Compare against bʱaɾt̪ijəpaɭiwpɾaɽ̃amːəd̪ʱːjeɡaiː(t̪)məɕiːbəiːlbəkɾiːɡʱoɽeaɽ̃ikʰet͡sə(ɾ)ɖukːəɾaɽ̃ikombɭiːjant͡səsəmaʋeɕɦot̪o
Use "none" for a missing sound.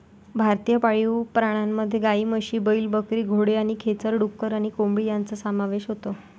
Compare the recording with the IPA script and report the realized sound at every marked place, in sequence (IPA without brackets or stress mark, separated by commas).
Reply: none, ɾ